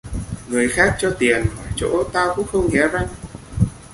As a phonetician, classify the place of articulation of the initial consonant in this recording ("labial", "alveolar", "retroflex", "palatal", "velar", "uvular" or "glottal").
velar